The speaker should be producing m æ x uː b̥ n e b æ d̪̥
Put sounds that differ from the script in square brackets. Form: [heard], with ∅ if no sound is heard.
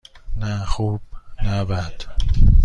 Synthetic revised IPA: [n] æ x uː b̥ n [æ] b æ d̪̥